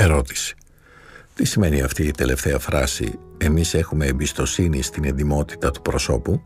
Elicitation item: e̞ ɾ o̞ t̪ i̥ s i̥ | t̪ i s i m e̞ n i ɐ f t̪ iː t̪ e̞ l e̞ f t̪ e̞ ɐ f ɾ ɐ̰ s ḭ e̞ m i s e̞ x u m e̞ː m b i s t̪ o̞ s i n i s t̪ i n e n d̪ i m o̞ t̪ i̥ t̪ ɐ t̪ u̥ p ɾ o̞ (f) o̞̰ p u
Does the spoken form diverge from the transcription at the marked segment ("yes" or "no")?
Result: yes